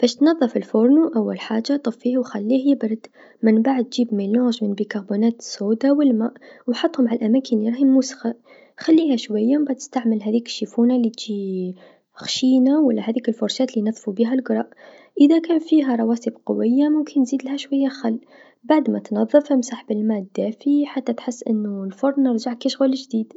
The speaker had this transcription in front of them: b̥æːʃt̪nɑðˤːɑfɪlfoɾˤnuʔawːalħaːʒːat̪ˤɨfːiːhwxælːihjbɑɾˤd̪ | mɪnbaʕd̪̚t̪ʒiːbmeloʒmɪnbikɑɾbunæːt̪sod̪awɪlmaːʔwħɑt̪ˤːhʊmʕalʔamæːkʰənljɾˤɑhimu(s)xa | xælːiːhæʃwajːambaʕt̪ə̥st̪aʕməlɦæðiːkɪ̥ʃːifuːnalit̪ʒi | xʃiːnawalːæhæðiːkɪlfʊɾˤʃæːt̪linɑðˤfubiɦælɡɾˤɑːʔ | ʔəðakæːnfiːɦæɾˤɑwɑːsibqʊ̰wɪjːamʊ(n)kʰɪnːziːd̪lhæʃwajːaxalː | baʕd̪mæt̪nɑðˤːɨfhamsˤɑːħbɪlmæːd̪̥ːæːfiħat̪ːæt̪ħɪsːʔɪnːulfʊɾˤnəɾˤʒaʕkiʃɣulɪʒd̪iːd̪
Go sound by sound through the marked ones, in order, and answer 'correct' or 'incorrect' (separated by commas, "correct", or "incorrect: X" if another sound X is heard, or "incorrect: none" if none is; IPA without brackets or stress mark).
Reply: correct, incorrect: m